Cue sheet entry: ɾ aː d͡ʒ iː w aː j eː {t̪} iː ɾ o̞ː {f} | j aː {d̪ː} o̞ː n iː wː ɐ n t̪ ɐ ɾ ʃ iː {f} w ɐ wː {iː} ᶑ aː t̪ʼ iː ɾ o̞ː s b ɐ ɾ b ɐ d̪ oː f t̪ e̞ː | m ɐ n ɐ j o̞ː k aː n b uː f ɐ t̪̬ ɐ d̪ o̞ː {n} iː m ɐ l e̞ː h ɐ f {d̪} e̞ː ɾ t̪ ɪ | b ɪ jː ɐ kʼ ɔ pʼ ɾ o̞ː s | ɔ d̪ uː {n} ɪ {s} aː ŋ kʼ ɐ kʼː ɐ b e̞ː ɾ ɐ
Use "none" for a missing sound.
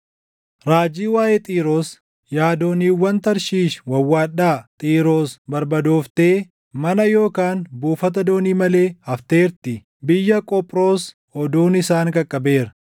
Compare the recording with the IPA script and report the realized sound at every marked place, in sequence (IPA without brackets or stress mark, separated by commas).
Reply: t̪ʼ, s, d̪, ʃ, aː, n, t̪, n, s